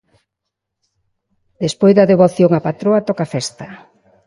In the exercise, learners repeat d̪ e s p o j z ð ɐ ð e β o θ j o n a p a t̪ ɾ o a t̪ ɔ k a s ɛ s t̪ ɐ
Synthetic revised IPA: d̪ e s p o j z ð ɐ ð e β o θ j o ŋ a p a t̪ ɾ o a t̪ ɔ k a f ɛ s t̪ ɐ